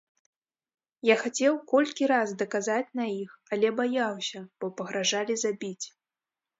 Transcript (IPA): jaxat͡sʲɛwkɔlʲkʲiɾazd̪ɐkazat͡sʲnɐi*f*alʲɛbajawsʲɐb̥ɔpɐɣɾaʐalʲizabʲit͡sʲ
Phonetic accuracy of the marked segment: incorrect: x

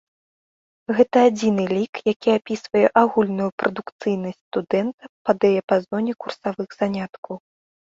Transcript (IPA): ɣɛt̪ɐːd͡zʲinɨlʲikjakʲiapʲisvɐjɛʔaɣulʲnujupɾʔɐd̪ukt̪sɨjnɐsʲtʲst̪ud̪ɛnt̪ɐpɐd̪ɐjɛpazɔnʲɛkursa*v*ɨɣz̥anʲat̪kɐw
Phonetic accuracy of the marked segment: correct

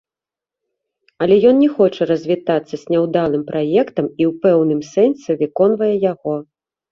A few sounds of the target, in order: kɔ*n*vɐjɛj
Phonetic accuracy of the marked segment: correct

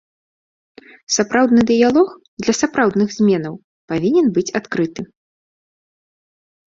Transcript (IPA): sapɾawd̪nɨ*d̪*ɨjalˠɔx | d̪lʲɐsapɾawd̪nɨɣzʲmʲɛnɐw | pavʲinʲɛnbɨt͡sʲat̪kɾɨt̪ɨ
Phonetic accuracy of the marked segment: correct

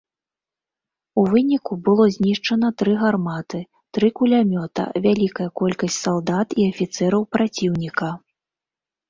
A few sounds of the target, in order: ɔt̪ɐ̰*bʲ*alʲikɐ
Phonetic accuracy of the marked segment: incorrect: vʲ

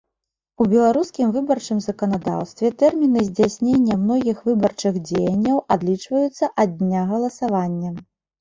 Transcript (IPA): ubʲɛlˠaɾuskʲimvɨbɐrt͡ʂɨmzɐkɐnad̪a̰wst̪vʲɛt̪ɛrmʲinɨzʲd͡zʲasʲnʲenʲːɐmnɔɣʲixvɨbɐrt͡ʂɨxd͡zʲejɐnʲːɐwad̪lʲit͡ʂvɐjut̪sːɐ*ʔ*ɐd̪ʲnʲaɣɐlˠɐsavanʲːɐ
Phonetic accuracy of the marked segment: correct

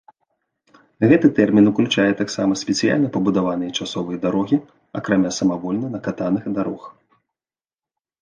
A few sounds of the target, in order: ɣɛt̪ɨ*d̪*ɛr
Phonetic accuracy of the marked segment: incorrect: t̪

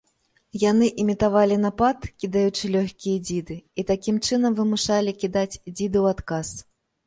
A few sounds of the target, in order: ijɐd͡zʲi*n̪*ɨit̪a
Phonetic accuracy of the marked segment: incorrect: d̪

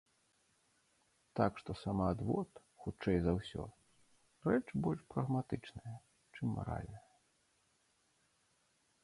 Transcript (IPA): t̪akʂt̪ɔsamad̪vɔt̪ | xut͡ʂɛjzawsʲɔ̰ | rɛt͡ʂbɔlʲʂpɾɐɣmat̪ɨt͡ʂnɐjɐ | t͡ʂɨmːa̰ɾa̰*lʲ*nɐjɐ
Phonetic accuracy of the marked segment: correct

